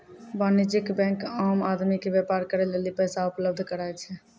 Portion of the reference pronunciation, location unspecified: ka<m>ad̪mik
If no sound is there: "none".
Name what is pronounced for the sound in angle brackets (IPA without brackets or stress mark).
m